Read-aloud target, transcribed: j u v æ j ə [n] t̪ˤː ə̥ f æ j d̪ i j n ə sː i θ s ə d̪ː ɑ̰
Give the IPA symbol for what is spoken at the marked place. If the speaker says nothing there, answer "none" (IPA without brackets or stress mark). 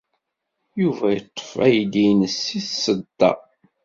none